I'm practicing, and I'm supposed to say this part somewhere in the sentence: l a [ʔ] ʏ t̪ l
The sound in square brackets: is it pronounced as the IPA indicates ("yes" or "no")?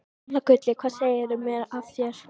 no